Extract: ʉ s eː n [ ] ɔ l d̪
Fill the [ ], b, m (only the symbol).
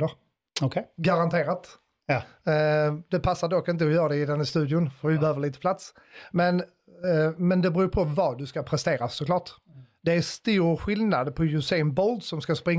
b